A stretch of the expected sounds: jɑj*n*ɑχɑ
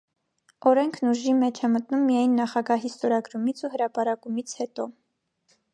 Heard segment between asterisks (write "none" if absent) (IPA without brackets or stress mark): nː